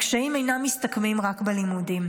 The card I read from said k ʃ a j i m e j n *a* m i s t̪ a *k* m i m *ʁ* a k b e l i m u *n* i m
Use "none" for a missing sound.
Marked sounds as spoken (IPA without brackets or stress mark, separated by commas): a, k, ʁ, d